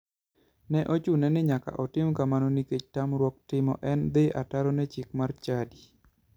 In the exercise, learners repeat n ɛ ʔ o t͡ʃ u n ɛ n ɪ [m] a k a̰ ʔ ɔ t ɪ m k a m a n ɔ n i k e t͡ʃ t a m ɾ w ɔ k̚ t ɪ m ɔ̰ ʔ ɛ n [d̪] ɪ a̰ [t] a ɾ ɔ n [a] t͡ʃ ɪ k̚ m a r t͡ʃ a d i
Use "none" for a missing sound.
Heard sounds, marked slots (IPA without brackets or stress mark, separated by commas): ɲ, d̪, t, ɛ